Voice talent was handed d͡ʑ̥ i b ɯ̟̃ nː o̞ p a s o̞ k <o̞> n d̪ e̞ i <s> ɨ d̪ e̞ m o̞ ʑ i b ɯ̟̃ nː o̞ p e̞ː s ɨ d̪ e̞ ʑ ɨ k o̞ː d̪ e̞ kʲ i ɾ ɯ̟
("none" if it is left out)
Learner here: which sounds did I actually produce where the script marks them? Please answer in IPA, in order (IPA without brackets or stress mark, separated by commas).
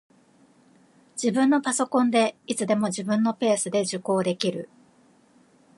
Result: õ̞, t͡s